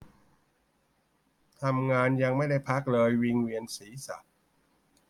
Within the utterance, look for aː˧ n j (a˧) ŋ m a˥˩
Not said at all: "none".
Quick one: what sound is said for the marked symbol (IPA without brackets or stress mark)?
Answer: a˧